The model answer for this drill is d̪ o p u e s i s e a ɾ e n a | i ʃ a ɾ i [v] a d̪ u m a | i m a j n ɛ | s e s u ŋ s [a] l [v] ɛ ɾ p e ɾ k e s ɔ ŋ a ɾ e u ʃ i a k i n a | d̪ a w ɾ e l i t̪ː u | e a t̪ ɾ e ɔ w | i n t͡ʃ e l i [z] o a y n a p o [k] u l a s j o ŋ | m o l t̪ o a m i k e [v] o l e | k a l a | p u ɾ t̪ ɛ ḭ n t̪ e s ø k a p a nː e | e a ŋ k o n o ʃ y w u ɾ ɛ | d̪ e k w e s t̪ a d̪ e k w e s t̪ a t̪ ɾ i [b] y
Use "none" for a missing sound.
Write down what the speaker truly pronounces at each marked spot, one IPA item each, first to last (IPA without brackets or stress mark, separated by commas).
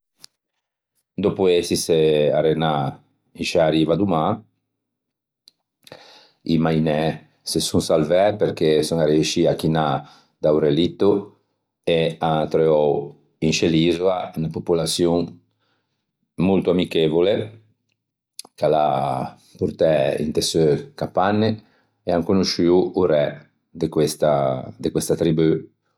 v, a, v, z, p, v, b